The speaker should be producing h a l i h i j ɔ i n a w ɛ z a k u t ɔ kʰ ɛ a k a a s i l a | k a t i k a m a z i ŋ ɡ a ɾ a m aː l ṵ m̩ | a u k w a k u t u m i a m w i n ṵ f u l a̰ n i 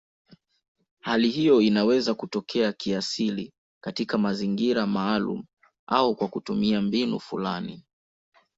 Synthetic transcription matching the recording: h a l i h i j ɔ i n a w ɛ z a k u t ɔ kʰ ɛ a k i a s i l i | k a t i k a m a z i ŋ ɡ i ɾ a m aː l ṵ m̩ | a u k w a k u t u m i a m b i n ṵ f u l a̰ n i

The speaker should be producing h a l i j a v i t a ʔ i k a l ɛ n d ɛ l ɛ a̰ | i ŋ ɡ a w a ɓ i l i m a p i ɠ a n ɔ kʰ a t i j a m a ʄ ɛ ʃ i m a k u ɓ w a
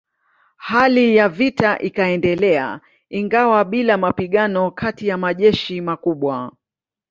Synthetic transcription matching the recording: h a l i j a v i t a ʔ i k a ɛ n d ɛ l ɛ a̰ | i ŋ ɡ a w a ɓ i l a m a p i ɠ a n ɔ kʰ a t i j a m a ʄ ɛ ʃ i m a k u ɓ w a

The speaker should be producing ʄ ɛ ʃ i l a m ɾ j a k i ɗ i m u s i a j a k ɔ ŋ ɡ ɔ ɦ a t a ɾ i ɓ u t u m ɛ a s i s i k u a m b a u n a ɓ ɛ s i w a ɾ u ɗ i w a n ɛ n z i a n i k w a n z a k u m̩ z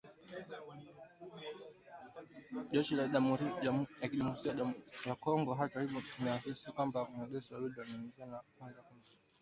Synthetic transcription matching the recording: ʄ ɛ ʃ i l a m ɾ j a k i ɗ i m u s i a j a k ɔ ŋ ɡ ɔ ɦ a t a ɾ i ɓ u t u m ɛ a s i s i k w a m b a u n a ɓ ɛ s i w a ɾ u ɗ i w a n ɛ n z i a n a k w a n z a k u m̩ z

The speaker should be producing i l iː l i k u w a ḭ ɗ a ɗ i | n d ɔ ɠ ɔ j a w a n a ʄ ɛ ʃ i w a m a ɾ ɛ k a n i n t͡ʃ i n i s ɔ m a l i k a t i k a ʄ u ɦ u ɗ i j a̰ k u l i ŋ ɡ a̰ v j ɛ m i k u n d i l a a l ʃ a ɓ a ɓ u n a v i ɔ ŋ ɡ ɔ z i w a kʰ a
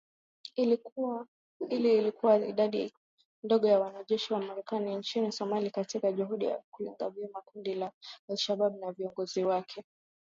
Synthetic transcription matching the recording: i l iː l i k u w a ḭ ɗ a ɗ i | n d ɔ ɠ ɔ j a w a n a ʄ ɛ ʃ i w a m a ɾ ɛ k a n i n t͡ʃ i n i s ɔ m a l i k a t i k a ʄ u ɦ u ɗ i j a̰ k u l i ŋ ɡ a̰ v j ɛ m a k u n d i l a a l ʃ a ɓ a ɓ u n a v i ɔ ŋ ɡ ɔ z i w a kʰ ɛ

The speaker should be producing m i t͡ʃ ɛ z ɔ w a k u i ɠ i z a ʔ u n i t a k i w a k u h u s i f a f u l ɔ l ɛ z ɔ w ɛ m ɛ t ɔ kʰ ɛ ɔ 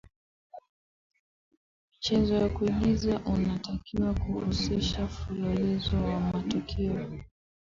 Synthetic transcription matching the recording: m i t͡ʃ ɛ z ɔ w a k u i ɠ i z a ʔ u n a t a k i w a k u h u s i ʃ a f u l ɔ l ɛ z ɔ w a m a t ɔ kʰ ɛ ɔ

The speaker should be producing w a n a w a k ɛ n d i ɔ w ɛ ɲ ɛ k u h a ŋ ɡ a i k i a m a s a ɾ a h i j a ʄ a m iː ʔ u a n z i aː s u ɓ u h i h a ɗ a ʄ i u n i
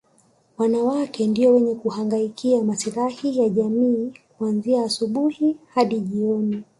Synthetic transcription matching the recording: w a n a w a k ɛ n d i ɔ w ɛ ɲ ɛ k u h a ŋ ɡ a i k i a m a s i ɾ a h i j a ʄ a m iː k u a n z i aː s u ɓ u h i h a ɗ i ʄ i ɔ n i

